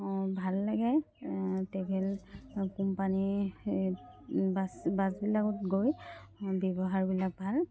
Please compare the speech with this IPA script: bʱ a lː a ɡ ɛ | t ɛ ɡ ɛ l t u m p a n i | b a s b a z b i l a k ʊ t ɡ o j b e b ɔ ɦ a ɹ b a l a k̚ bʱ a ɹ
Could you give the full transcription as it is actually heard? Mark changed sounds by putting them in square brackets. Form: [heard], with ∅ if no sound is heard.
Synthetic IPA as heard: bʱ a lː a ɡ ɛ | t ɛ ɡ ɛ l [k] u m p a n i | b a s b a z b i l a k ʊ t ɡ o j b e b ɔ ɦ a ɹ b [i] l a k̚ bʱ a [l]